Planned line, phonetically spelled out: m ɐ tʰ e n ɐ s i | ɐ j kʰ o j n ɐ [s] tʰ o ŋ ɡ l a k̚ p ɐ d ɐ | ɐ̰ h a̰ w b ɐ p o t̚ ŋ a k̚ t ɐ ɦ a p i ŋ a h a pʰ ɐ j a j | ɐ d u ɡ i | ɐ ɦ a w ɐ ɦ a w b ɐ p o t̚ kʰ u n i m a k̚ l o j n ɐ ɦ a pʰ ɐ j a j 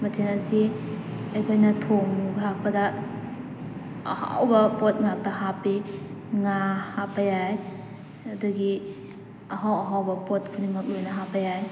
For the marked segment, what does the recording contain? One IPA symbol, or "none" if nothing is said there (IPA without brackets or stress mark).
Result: none